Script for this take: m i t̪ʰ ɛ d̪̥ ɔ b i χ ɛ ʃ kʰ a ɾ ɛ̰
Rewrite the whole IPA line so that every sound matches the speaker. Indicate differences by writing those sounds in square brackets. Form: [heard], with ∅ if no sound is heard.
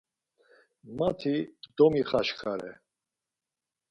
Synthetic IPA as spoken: m [a] t̪ʰ [i] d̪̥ ɔ [m] i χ [a] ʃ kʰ a ɾ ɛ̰